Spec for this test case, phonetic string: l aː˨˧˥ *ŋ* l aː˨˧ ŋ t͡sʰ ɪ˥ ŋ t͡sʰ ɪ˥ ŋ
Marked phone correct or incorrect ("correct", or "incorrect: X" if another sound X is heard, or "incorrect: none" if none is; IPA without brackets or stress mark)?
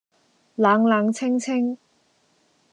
correct